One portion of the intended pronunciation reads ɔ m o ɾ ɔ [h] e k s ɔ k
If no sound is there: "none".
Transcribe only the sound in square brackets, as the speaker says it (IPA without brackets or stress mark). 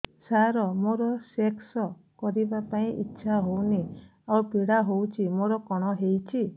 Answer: s